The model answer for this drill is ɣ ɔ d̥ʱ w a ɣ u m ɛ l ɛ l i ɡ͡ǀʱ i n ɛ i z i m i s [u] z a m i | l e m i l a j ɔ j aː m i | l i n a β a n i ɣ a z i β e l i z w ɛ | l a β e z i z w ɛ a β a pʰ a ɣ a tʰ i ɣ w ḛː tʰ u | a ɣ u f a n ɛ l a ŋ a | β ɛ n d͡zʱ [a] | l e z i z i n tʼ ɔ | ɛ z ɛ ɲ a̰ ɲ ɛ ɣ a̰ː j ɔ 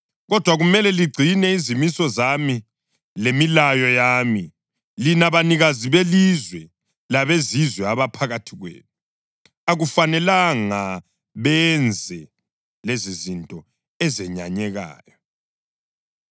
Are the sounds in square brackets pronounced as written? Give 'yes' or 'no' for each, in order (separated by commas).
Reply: no, no